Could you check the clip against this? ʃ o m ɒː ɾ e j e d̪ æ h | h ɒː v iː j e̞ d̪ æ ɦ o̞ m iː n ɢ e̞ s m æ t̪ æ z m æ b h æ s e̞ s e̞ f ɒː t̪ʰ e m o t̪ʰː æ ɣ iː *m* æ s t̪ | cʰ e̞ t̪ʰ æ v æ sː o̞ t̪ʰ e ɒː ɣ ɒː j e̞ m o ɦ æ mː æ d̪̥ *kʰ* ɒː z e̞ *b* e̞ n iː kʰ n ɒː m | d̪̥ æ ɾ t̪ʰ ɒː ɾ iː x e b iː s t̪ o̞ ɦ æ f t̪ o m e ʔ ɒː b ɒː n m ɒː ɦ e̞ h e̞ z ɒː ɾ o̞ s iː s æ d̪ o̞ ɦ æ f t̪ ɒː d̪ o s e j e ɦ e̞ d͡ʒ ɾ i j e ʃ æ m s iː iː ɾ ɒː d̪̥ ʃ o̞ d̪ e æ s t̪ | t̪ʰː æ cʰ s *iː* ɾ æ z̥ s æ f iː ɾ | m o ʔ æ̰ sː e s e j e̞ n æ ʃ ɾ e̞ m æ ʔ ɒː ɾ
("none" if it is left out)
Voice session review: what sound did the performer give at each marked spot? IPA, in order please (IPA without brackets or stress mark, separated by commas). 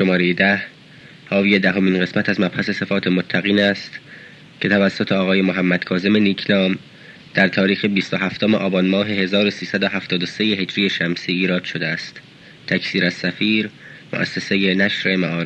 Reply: n, kʰ, m, iː